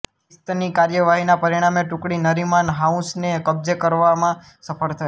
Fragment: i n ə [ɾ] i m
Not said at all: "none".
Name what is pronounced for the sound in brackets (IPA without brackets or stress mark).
ɾ